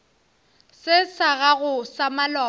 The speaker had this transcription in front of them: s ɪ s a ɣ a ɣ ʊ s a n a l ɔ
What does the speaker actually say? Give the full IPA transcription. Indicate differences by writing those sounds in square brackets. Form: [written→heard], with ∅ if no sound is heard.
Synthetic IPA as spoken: s ɪ s a ɣ a ɣ ʊ s a [n→m] a l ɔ